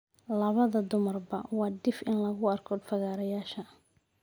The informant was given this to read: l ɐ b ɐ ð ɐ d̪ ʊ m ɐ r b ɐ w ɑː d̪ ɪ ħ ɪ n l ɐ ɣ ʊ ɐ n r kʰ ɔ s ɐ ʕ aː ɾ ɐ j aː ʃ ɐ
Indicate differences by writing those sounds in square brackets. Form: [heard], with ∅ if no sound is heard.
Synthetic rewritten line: l ɐ [β] ɐ ð ɐ d̪ ʊ m ɐ r b ɐ w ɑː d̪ ɪ [f] ɪ n l ɐ ɣ ʊ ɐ [∅] r kʰ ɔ [f] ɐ [ɣ] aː ɾ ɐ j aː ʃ ɐ